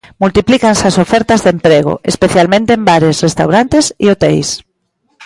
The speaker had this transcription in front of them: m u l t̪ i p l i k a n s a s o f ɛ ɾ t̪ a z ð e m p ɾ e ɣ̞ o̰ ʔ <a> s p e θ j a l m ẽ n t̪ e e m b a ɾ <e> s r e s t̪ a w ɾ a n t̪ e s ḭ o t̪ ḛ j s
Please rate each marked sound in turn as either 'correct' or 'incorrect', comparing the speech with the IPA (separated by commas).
incorrect, correct